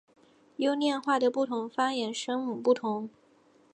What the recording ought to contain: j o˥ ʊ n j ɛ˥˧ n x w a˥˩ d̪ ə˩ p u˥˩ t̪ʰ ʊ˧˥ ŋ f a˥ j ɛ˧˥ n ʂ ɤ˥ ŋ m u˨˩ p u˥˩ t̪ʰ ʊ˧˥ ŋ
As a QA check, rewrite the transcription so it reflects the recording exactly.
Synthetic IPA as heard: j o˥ ʊ n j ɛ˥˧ n x w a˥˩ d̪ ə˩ p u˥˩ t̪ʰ ʊ˧˥ ŋ f a˥ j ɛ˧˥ n ʂ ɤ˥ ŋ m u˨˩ p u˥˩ t̪ʰ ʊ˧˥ ŋ